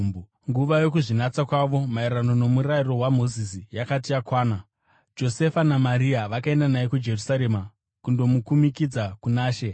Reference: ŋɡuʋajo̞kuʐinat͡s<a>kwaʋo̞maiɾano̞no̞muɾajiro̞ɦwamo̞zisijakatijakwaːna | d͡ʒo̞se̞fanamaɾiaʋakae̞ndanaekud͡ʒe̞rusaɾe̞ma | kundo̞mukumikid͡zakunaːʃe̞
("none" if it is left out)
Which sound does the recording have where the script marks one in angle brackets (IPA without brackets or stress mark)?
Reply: a